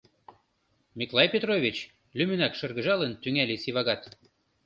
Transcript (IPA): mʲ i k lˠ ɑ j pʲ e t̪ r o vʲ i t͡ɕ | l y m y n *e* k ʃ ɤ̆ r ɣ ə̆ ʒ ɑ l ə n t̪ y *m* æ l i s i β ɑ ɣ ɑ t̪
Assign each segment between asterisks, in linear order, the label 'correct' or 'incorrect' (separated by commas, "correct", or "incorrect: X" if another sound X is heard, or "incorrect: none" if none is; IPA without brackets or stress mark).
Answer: incorrect: æ, incorrect: ŋ